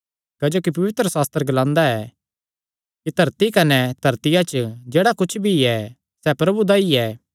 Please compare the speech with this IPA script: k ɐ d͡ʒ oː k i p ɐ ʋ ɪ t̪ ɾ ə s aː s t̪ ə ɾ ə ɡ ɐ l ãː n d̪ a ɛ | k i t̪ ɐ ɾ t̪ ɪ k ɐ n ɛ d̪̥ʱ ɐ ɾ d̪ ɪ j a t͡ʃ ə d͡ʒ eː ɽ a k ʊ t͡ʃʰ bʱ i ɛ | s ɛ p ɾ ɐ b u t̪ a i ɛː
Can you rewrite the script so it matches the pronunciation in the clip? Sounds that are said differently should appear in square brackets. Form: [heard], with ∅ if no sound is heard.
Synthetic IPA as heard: k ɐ d͡ʒ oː k i p ɐ ʋ ɪ t̪ ɾ ə s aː s t̪ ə ɾ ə ɡ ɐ l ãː n d̪ a ɛ | k i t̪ ɐ ɾ t̪ [i] k ɐ n ɛ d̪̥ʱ ɐ ɾ [t̪] ɪ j a t͡ʃ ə d͡ʒ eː ɽ a k ʊ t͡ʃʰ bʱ i ɛ | s ɛ p ɾ ɐ b u [d̪] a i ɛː

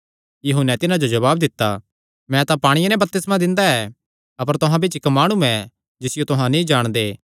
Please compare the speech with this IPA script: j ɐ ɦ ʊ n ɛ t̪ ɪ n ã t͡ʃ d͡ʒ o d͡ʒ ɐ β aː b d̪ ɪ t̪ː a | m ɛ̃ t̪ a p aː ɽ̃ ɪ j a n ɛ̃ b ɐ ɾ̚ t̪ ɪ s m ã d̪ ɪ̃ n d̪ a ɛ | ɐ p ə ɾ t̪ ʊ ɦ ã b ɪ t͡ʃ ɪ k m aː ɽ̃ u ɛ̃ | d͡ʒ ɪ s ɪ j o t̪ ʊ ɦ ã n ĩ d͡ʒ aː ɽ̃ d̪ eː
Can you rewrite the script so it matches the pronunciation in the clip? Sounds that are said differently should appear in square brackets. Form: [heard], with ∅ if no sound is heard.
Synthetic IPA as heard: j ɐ ɦ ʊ n ɛ t̪ ɪ n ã [∅] d͡ʒ o d͡ʒ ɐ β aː b d̪ ɪ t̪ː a | m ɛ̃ t̪ a p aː ɽ̃ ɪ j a n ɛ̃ b ɐ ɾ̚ t̪ ɪ s m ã d̪ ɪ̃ n d̪ a ɛ | ɐ p ə ɾ t̪ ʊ ɦ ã b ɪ t͡ʃ ɪ k m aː ɽ̃ u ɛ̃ | d͡ʒ ɪ s ɪ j o t̪ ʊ ɦ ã n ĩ d͡ʒ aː ɽ̃ d̪ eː

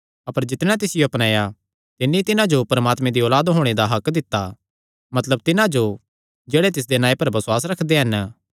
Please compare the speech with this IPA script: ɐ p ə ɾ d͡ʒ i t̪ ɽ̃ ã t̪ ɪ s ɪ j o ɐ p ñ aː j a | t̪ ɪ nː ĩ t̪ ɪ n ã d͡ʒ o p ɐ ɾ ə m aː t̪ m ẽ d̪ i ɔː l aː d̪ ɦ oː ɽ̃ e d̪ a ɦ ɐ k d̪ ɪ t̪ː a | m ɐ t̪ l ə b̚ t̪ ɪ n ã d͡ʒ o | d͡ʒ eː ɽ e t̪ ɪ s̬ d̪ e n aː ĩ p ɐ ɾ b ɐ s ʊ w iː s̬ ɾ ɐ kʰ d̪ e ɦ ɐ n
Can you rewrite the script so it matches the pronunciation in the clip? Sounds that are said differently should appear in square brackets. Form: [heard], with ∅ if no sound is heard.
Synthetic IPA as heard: ɐ p ə ɾ d͡ʒ [ɪ] t̪ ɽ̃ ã t̪ ɪ s ɪ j o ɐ p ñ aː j a | t̪ ɪ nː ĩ t̪ ɪ n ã d͡ʒ o p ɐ ɾ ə m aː t̪ m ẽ d̪ i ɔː l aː d̪ ɦ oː ɽ̃ e d̪ a ɦ ɐ k d̪ ɪ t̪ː a | m ɐ t̪ l ə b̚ t̪ ɪ n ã d͡ʒ o | d͡ʒ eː ɽ e t̪ ɪ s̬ d̪ e n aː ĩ p ɐ ɾ b ɐ s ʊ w [aː] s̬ ɾ ɐ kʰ d̪ e ɦ ɐ n

